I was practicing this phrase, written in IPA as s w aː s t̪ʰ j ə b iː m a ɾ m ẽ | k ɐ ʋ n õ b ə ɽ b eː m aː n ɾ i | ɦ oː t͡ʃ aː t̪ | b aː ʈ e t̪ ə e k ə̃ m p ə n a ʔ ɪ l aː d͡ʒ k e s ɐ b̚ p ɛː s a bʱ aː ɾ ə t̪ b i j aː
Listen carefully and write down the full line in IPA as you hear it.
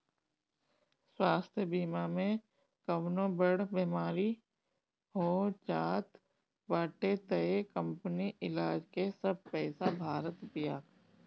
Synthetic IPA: s w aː s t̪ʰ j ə b iː m a m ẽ | k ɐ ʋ n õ b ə ɽ b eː m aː ɾ i | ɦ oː t͡ʃ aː t̪ | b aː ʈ e t̪ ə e k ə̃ m p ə n i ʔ ɪ l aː d͡ʒ k e s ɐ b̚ p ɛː s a bʱ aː ɾ ə t̪ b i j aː